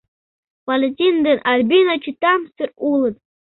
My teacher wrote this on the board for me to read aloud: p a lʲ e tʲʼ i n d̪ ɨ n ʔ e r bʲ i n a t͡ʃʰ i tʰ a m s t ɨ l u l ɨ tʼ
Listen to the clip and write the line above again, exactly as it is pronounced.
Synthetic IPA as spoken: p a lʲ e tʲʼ i n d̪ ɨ n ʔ a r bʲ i n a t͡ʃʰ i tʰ a m s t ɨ r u l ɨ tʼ